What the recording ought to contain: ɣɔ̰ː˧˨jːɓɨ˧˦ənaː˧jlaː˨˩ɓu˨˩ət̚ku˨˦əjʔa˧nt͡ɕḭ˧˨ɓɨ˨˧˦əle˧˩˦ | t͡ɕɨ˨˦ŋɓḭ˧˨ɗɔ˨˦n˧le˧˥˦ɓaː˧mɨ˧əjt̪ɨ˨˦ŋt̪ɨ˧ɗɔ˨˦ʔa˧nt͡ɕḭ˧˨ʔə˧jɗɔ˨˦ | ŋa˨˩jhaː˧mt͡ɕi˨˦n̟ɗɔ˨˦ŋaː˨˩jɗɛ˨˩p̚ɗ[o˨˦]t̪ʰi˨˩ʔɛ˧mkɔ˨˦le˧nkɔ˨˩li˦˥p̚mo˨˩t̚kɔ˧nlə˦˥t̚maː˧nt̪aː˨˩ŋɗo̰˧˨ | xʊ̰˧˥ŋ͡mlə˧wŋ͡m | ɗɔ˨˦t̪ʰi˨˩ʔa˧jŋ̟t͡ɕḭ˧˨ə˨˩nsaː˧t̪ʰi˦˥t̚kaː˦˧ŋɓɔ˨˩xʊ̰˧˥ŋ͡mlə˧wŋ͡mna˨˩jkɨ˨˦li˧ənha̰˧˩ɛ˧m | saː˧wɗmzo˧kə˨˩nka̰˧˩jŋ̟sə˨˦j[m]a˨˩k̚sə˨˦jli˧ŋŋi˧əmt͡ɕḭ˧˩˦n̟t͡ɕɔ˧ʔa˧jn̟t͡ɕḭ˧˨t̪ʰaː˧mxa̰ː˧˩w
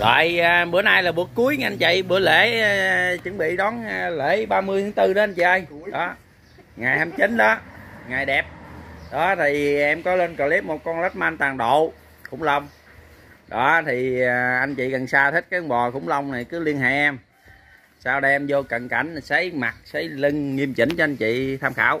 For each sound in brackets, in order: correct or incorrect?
incorrect: ɔ˨˦, correct

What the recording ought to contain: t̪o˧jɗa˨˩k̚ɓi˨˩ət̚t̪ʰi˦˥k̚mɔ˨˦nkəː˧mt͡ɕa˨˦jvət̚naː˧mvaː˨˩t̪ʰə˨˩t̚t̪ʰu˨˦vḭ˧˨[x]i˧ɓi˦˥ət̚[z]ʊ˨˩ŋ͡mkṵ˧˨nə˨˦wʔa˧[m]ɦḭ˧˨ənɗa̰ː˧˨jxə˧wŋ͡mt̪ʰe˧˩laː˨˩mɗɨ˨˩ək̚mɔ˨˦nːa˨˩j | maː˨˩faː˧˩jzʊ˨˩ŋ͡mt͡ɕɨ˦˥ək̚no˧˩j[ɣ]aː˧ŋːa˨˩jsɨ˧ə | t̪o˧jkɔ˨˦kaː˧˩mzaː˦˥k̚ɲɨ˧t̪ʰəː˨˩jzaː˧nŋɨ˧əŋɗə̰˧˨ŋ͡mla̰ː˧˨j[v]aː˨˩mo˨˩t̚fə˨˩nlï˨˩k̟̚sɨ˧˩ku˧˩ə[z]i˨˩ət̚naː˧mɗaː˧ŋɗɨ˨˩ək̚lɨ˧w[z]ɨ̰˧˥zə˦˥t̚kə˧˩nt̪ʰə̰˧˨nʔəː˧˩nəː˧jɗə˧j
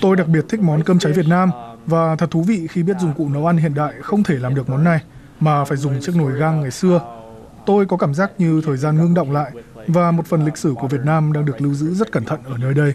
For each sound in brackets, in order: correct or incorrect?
correct, correct, incorrect: n, correct, correct, incorrect: v, correct

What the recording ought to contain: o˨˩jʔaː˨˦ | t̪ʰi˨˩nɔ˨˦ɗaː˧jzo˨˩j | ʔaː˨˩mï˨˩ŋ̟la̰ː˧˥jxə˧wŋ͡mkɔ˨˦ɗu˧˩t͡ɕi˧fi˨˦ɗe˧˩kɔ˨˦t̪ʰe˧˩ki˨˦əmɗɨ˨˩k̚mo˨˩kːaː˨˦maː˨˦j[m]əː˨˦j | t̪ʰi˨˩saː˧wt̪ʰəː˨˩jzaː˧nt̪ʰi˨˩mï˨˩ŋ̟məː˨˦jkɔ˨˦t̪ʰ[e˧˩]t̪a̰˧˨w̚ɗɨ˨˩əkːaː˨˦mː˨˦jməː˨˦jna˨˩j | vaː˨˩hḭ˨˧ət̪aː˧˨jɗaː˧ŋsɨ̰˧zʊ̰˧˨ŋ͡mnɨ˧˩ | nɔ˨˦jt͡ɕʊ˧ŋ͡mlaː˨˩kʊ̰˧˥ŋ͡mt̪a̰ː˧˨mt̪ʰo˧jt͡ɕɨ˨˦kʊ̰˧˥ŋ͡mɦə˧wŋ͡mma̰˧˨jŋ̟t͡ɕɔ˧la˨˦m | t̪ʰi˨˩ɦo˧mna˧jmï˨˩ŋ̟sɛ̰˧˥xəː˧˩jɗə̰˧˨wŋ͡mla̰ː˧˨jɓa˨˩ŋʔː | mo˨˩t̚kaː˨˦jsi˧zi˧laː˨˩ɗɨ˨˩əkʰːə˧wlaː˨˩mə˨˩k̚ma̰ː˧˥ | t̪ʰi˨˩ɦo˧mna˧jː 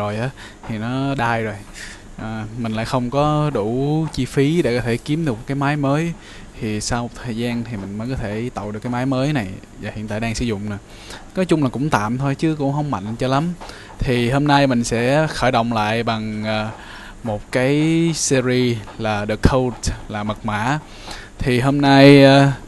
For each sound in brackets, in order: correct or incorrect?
correct, correct

